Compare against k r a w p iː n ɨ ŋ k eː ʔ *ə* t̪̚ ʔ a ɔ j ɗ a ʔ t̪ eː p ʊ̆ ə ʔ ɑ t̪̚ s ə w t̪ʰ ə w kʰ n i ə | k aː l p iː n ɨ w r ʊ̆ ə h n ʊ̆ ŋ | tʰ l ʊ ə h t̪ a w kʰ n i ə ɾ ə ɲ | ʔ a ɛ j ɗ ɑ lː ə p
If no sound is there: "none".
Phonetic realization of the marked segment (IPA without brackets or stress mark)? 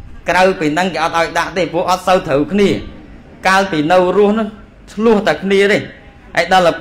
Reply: ɑ